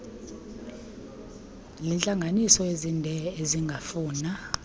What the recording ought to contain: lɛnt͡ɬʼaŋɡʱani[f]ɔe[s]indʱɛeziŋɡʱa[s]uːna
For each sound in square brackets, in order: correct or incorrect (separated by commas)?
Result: incorrect, incorrect, incorrect